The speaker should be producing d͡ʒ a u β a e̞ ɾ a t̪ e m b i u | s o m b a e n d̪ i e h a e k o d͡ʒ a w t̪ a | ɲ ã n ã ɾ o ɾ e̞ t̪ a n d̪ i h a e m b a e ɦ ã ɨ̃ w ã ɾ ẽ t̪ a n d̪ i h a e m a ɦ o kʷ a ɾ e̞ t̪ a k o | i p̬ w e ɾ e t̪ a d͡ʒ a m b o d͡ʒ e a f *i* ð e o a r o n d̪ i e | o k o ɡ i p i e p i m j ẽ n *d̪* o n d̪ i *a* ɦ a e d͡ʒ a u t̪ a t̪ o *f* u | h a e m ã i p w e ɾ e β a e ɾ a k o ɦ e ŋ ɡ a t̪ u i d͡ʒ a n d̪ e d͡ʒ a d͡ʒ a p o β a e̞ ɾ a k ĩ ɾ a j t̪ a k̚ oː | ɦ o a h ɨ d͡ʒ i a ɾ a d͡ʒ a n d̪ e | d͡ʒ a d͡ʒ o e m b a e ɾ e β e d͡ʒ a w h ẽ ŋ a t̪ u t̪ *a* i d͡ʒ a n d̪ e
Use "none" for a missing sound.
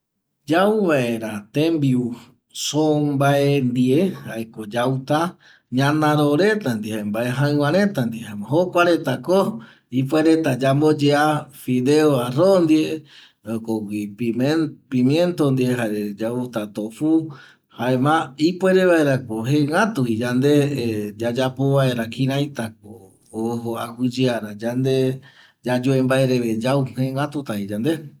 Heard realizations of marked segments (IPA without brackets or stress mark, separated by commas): i, t̪, e, f, a